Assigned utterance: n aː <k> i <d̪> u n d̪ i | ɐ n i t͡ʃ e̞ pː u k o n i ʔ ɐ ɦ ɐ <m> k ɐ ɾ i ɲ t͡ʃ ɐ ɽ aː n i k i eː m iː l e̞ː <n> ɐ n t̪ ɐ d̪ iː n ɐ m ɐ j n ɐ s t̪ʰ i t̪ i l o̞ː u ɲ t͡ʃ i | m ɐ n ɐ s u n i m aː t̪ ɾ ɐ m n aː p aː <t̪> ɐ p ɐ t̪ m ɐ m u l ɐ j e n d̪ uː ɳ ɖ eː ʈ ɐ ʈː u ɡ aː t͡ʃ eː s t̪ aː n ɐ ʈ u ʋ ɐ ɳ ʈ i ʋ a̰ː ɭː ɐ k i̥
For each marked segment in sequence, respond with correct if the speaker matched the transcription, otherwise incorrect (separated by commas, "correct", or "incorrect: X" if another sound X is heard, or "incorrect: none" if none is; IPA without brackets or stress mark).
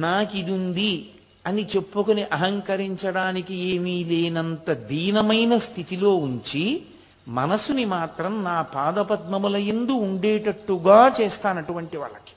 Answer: correct, correct, incorrect: ŋ, correct, incorrect: d̪